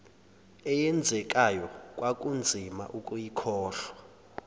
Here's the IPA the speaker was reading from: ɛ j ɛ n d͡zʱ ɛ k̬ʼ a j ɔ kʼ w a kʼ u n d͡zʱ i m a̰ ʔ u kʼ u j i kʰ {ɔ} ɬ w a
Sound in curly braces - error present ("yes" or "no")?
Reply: yes